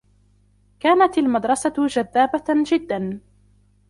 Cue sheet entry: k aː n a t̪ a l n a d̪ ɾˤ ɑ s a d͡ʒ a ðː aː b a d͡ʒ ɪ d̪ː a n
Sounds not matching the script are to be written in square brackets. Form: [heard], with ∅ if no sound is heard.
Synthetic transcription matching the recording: k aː n a t̪ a l [m] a d̪ ɾˤ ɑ s a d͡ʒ a ðː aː b a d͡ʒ ɪ d̪ː a n